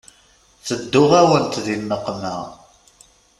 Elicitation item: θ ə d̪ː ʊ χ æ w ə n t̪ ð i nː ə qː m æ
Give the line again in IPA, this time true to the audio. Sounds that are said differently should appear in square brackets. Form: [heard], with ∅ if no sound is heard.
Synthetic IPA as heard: θ ə d̪ː ʊ [ʁ] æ w ə n t̪ ð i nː ə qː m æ